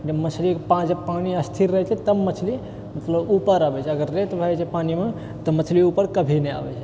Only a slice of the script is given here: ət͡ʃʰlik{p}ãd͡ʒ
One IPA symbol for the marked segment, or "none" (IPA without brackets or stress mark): p